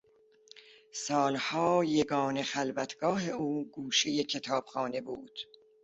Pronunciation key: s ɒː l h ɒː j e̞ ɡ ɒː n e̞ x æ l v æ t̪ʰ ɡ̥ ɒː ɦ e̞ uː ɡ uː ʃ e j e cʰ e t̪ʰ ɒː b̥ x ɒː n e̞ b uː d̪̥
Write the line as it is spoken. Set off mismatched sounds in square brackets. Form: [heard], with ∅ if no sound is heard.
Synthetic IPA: s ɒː l h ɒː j e̞ ɡ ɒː n e̞ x æ l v æ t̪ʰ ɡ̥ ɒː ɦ e̞ uː ɡ uː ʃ e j e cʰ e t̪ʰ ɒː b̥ x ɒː n e̞ b uː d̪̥